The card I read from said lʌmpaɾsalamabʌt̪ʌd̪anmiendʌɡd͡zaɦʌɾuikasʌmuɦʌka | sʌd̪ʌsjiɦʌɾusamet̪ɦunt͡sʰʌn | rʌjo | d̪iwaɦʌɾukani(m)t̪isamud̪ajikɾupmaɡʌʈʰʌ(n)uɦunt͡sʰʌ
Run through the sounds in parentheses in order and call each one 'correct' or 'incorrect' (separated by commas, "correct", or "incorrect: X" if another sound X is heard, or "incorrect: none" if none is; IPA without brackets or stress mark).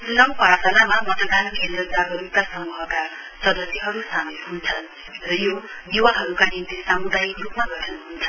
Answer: incorrect: n, correct